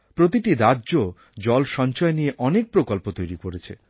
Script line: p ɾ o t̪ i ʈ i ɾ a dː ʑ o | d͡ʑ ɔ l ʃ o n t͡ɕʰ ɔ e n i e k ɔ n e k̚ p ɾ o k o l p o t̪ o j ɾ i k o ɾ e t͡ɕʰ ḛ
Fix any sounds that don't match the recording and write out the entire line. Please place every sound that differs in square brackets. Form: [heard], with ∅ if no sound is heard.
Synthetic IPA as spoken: p ɾ o t̪ i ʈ i ɾ a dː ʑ o | d͡ʑ ɔ l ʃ [ɔ] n [t͡ɕ] ɔ e n i e [ʔ] ɔ n e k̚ p ɾ o k o l p o t̪ o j ɾ i k o ɾ e t͡ɕʰ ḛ